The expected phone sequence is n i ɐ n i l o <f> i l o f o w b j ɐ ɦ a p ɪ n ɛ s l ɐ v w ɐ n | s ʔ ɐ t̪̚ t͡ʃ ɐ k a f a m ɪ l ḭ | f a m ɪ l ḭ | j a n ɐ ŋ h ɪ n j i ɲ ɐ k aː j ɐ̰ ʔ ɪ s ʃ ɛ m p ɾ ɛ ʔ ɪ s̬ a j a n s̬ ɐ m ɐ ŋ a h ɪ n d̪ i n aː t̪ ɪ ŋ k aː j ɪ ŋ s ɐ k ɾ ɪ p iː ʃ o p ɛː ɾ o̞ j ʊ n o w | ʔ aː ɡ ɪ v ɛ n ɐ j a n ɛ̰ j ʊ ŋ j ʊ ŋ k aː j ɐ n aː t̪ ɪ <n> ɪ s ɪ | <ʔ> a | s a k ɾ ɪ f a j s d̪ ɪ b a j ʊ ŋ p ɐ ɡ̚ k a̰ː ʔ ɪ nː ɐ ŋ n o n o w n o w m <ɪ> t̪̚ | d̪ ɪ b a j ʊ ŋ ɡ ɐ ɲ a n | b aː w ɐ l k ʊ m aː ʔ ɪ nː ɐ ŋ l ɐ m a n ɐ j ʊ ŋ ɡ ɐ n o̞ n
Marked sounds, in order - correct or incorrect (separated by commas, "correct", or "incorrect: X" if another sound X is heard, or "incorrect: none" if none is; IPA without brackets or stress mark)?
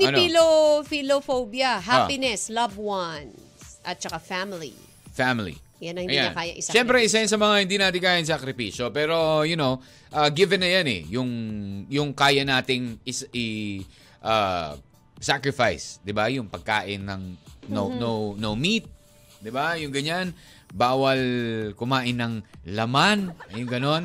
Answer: correct, incorrect: ŋ, correct, incorrect: i